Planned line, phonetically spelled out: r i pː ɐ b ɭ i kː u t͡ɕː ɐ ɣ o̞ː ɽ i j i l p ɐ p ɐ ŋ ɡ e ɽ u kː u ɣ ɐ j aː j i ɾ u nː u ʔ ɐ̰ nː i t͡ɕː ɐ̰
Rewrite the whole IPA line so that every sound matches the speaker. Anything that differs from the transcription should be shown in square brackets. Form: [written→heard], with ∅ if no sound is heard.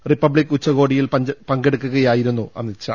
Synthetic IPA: r i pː ɐ b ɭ i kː u t͡ɕː ɐ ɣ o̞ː ɽ i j i l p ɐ p ɐ ŋ ɡ e ɽ u kː u ɣ ɐ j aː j i ɾ u nː u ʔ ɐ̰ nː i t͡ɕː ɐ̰